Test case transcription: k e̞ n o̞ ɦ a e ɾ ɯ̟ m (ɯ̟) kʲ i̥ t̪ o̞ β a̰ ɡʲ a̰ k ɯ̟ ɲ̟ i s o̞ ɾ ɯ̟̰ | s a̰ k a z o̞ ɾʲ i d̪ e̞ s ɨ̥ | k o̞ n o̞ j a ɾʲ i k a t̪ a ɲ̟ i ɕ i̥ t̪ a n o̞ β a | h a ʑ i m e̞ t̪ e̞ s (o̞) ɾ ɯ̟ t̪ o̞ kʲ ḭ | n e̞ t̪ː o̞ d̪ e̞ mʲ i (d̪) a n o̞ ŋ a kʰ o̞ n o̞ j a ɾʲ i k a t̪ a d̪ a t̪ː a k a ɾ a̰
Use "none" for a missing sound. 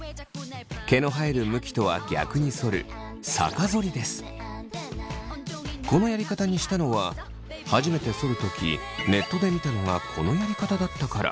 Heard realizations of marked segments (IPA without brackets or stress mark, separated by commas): ɯ̟, o̞, t̪